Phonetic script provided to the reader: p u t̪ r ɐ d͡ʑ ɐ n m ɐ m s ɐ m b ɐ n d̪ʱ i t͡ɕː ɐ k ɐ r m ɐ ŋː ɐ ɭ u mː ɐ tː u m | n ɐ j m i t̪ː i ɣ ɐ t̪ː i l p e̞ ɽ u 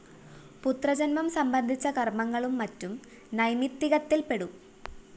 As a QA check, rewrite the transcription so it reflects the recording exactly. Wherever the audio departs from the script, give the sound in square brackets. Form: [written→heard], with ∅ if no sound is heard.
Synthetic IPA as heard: p u t̪ r ɐ d͡ʑ ɐ n m ɐ m s ɐ m b ɐ n d̪ʱ i t͡ɕː ɐ k ɐ r m ɐ ŋː ɐ ɭ u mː ɐ tː u m | n ɐ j m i t̪ː i ɣ ɐ t̪ː i l p e̞ ɽ u